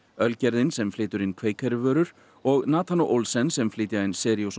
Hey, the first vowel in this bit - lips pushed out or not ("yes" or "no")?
yes